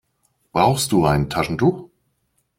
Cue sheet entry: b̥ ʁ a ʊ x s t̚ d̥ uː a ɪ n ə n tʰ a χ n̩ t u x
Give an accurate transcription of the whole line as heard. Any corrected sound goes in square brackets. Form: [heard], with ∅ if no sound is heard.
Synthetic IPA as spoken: b̥ ʁ a ʊ x s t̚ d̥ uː a ɪ n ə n tʰ a [ʃ] n̩ t u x